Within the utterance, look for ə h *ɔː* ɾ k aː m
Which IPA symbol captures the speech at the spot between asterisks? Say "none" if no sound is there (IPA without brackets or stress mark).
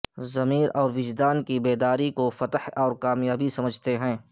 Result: ɔː